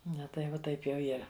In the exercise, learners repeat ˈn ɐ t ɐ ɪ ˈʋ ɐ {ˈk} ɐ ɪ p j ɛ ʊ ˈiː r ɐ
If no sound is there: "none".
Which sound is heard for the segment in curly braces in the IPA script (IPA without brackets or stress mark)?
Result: t